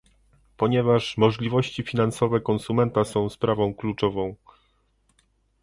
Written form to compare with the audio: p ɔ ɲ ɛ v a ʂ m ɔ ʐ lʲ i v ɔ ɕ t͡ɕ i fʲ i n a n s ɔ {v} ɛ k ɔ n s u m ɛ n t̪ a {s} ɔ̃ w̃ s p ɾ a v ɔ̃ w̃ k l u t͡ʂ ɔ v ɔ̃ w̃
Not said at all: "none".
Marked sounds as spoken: v, s

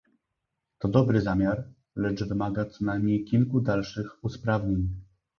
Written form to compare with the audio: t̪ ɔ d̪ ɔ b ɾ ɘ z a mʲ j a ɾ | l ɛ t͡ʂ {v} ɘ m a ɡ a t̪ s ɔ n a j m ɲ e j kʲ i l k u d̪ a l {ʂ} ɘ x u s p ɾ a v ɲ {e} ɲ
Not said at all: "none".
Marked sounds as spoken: v, ʂ, e

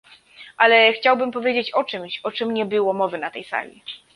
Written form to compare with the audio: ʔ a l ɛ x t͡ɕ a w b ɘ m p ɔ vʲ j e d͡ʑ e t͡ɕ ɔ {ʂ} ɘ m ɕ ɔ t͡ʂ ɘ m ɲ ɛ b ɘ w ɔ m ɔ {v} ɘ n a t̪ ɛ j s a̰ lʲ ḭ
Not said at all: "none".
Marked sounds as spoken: t͡ʂ, v

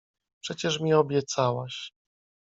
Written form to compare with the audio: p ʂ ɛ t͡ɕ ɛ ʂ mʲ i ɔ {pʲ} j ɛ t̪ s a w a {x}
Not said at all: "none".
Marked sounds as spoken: bʲ, ɕ

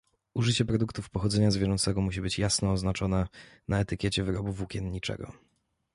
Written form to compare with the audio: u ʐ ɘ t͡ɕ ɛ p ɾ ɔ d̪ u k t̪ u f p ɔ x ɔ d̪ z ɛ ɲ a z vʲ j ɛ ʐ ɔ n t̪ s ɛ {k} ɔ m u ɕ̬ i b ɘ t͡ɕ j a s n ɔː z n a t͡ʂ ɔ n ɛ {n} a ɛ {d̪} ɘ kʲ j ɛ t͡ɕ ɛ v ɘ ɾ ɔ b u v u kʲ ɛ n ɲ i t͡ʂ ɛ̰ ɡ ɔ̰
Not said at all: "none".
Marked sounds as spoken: ɡ, n, t̪

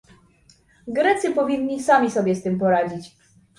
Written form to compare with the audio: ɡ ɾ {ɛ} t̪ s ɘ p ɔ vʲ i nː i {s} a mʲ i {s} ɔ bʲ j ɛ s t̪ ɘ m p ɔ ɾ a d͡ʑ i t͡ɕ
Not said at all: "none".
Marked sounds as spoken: ɛ, s, s

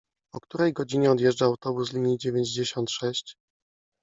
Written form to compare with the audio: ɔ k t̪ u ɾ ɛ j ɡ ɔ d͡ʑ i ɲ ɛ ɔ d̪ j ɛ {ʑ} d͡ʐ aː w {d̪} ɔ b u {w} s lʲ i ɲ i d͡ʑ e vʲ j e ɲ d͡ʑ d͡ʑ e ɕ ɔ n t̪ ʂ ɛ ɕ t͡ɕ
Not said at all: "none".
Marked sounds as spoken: ʐ, t̪, none

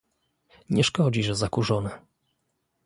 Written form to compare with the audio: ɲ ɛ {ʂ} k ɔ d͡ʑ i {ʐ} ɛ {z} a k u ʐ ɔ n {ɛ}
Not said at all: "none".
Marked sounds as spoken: ʂ, ʐ, z, ɛ

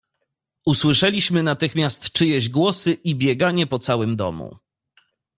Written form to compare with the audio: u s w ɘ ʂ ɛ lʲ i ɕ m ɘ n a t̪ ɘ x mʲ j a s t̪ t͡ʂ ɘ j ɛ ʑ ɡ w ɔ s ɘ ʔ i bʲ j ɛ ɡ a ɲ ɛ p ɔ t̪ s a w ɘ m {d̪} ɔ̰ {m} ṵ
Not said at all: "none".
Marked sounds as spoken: d̪, m

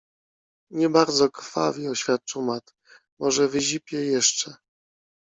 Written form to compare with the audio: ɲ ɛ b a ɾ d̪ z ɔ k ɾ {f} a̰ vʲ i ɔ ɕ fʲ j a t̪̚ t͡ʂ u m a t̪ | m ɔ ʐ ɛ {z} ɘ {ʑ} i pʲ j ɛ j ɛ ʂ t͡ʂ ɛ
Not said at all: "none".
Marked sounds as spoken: f, v, ʑ

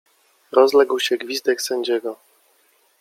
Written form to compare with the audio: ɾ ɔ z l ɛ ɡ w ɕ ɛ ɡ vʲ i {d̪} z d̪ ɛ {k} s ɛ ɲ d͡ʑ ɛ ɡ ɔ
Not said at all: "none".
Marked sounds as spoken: none, k

